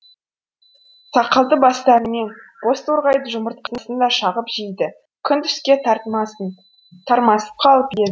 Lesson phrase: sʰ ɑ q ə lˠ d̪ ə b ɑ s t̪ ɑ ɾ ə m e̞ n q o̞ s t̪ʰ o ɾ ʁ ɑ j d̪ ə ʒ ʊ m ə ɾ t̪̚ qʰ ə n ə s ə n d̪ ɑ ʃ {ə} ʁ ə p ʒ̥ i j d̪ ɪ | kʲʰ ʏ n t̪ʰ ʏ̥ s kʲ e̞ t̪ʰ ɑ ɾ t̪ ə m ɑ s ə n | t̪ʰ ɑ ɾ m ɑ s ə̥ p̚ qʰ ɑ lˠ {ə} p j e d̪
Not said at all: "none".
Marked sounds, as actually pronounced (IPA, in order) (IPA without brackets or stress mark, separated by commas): ɑ, ə